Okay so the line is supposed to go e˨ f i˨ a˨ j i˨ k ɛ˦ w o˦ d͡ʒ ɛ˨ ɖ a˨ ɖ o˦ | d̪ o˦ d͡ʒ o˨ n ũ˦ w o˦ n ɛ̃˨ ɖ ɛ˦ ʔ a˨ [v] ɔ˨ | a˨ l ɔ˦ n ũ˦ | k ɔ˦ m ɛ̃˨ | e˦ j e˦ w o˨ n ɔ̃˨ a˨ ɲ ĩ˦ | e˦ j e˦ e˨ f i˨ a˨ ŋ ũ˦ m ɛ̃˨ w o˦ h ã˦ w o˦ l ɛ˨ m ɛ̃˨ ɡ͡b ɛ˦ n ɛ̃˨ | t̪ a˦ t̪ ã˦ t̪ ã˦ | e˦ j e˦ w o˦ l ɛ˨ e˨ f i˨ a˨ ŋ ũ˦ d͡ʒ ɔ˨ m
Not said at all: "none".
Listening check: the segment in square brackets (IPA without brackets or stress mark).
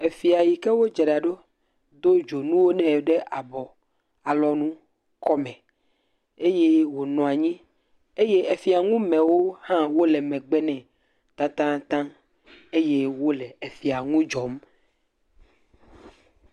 b